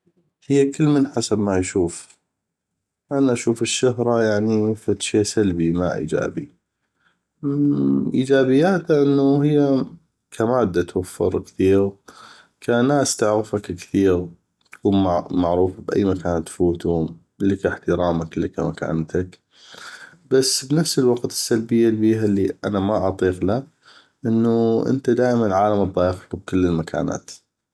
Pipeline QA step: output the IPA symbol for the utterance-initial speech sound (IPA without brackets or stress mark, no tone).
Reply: h